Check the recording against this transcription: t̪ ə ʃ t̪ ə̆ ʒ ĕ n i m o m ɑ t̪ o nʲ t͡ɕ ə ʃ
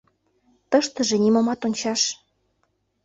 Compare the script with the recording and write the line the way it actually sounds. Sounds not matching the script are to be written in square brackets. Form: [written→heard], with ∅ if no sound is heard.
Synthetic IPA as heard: t̪ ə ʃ t̪ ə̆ ʒ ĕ n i m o m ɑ t̪ o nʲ t͡ɕ [ə→ɑ] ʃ